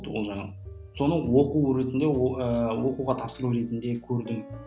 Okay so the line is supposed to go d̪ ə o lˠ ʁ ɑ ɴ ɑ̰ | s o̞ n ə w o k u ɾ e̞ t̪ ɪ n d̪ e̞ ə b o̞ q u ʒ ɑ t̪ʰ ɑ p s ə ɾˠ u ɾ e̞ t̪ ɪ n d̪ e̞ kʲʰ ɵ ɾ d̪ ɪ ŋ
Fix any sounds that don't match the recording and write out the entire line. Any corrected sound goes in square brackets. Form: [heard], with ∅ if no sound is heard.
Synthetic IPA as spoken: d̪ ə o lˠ [ʒ] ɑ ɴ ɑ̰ | s o̞ n ə w o [q] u ɾ e̞ t̪ ɪ n d̪ e̞ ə [w] o̞ q u [ʁ] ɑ t̪ʰ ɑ p s ə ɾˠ u ɾ e̞ t̪ ɪ n d̪ e̞ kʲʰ ɵ ɾ d̪ ɪ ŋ